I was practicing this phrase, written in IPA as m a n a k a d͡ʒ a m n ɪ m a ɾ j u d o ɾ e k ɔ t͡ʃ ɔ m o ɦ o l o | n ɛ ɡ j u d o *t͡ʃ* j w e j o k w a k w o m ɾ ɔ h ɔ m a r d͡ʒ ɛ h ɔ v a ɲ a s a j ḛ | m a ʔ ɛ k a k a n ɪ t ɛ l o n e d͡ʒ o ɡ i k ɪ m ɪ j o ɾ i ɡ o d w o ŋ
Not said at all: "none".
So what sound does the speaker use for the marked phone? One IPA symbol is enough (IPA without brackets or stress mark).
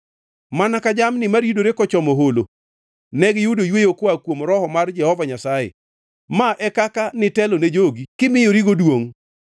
none